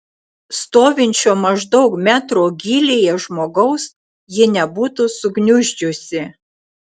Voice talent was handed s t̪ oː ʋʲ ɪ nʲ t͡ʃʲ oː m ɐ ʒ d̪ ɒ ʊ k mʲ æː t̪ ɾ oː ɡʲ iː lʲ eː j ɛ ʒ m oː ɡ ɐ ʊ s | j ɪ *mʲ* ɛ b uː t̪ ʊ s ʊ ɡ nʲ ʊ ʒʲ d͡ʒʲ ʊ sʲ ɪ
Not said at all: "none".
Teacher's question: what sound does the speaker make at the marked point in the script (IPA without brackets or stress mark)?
nʲ